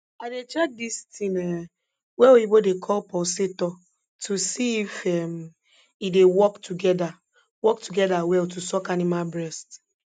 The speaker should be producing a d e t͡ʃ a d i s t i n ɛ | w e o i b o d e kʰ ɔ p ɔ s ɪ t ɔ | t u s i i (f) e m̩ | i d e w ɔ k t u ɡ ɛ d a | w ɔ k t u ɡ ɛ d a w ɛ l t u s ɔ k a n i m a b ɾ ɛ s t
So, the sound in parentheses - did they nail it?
yes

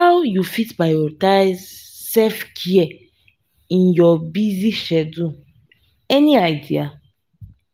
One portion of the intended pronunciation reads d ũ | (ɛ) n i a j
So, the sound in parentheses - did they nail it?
yes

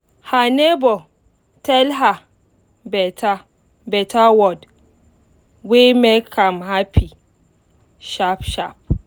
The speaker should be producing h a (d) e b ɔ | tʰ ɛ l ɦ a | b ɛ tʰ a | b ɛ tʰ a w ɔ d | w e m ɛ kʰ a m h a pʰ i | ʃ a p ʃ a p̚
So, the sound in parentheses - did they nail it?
no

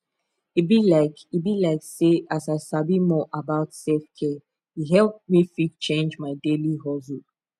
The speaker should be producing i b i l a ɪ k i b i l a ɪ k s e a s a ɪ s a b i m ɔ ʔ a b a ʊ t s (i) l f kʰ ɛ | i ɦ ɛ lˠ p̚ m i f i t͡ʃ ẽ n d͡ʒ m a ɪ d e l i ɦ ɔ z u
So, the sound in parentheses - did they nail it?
no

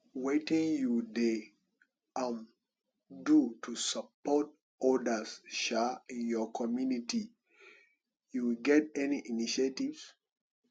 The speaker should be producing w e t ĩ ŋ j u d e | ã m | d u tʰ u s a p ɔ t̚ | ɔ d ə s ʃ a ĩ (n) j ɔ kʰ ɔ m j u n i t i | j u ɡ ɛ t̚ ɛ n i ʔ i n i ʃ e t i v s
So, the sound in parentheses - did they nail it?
yes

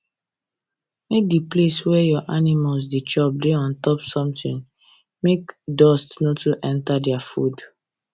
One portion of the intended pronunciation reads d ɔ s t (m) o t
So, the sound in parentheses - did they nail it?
no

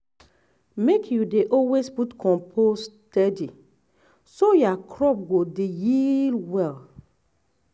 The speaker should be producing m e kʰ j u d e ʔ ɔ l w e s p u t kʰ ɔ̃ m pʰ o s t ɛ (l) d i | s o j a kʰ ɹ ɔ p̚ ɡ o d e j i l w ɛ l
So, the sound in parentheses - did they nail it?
no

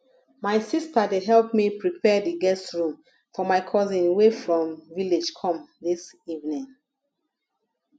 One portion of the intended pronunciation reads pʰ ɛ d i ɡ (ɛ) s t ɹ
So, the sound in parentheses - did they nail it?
yes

